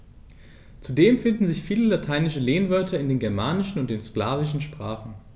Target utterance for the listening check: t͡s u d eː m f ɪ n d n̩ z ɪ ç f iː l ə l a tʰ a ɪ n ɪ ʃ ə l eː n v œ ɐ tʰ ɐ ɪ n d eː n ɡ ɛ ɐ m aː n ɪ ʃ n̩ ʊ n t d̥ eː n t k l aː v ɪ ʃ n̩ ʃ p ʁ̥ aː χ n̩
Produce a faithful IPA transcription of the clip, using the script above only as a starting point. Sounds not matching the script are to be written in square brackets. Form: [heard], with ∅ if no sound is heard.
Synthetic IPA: t͡s u d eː m f ɪ n d n̩ z ɪ ç f iː l ə l a tʰ a ɪ n ɪ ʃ ə l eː n v œ ɐ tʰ ɐ ɪ n d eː n ɡ ɛ ɐ m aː n ɪ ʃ n̩ ʊ n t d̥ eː n [s] k l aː v ɪ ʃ n̩ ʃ p ʁ̥ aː χ n̩